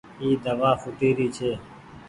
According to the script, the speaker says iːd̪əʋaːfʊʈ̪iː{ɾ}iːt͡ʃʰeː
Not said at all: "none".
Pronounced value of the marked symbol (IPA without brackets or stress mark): ɾ